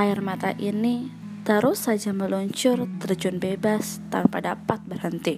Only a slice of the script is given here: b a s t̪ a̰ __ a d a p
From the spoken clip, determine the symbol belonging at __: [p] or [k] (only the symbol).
p